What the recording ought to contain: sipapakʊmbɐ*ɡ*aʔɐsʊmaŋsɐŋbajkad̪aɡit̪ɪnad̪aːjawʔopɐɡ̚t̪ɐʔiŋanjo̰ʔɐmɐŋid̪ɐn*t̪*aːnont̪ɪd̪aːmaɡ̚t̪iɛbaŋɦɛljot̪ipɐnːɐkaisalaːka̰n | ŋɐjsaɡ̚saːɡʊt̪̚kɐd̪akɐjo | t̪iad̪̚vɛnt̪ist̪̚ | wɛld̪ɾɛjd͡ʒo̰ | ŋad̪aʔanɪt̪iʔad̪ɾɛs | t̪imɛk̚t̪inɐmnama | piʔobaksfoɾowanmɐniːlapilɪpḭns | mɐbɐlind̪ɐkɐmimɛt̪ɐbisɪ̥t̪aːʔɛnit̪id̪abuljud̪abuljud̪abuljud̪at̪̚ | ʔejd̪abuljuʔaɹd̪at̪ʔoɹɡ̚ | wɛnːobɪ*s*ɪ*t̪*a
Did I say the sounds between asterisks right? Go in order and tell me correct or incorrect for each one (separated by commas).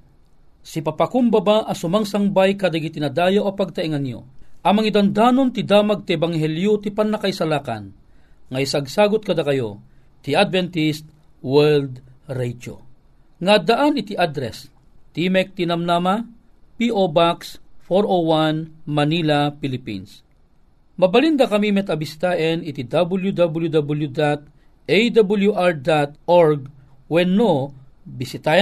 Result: incorrect, incorrect, correct, correct